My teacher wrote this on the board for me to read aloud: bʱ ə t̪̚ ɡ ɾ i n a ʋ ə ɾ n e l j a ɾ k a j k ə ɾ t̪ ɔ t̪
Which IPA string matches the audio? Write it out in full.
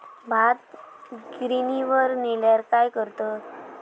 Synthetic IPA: bʱ a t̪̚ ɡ ɾ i n i ʋ ə ɾ n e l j a ɾ k a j k ə ɾ t̪ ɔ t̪